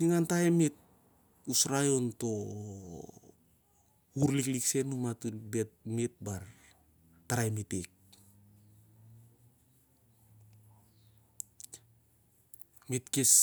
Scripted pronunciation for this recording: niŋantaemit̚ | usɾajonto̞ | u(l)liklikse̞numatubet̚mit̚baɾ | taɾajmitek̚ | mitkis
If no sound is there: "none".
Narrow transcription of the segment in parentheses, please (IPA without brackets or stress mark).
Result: ɾ